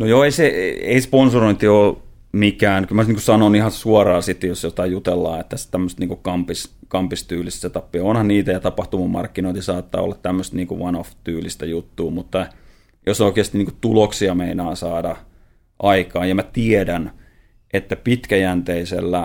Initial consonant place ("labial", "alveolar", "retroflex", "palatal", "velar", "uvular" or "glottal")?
alveolar